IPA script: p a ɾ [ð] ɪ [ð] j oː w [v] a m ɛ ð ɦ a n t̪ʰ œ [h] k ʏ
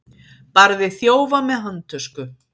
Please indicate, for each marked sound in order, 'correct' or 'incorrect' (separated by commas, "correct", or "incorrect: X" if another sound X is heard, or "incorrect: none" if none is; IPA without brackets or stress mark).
correct, incorrect: θ, correct, incorrect: s